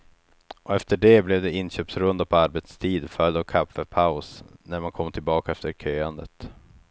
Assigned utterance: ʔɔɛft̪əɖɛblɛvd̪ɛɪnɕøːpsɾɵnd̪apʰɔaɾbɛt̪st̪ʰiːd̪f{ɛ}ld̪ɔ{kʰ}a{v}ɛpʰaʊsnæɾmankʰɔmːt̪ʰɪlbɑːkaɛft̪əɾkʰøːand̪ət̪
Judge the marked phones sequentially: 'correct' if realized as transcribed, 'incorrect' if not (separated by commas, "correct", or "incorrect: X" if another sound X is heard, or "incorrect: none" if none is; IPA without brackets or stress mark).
incorrect: œ, correct, incorrect: f